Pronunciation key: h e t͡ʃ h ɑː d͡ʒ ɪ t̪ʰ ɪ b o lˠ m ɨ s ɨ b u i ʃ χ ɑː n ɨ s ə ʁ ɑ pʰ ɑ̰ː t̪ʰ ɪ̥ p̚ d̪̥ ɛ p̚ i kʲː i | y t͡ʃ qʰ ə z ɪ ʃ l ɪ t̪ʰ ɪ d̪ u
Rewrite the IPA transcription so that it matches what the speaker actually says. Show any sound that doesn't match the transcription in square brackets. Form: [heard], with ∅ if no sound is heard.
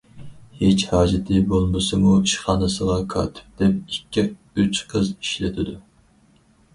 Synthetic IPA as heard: h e t͡ʃ h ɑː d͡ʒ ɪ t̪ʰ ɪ b o lˠ m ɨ s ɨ [m] u i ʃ χ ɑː n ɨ s ə ʁ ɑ [kʰ] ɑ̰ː t̪ʰ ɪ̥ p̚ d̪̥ ɛ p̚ i kʲː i | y t͡ʃ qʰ ə z [i] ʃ l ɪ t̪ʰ ɪ d̪ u